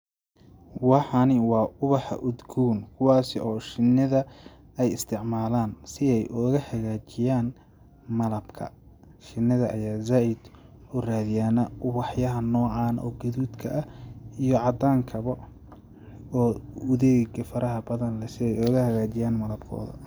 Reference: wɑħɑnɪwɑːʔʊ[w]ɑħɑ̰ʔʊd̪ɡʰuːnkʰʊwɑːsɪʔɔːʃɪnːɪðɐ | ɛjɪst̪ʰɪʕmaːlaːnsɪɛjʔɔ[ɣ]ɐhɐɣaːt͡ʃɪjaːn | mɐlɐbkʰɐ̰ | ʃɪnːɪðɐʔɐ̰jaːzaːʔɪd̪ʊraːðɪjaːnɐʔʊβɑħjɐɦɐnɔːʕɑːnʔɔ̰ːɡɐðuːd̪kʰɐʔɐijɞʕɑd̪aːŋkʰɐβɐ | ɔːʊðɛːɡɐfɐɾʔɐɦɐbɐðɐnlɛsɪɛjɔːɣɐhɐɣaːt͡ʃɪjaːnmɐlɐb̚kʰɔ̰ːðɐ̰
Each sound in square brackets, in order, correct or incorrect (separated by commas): incorrect, correct